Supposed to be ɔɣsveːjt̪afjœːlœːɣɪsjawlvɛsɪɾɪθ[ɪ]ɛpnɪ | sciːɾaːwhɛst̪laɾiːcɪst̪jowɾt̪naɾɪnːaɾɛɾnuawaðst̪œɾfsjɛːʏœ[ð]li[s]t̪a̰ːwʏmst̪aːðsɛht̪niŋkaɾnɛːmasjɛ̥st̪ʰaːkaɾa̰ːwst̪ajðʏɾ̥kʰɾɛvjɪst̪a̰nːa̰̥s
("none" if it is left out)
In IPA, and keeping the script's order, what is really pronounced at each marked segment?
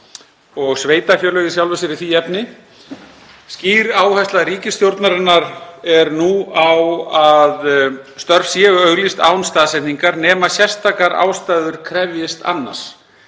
i, ɣ, s

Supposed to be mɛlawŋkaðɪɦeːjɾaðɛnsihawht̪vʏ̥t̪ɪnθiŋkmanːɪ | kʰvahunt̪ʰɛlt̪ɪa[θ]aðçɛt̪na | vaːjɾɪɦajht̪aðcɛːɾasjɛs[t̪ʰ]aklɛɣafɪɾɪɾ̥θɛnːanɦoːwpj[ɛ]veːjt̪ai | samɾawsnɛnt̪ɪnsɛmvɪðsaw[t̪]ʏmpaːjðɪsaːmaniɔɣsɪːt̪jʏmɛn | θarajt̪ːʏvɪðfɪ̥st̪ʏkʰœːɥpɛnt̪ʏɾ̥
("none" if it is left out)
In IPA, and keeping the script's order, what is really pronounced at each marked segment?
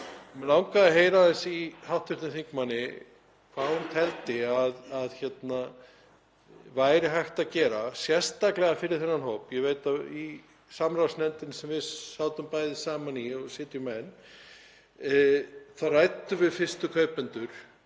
ð, t̪, ɛ, t̪

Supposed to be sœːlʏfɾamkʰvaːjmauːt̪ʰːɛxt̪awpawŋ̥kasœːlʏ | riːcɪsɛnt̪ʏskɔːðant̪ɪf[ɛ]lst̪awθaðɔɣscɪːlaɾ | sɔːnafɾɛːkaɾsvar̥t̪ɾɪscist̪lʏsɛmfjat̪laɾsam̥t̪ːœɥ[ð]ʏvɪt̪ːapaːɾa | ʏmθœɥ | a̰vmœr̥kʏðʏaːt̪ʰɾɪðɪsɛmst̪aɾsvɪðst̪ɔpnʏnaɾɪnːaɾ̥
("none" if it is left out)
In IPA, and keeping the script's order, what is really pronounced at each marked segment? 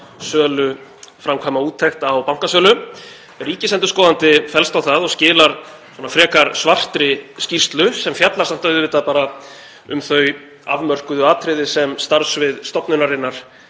ɛ, ð

